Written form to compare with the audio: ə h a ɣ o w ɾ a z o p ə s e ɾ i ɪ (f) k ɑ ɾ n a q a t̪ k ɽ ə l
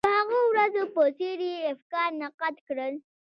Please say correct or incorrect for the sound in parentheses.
correct